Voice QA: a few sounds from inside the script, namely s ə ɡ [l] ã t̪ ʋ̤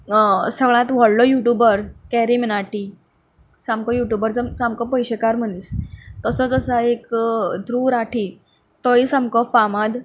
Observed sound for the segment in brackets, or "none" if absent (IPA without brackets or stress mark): ɭ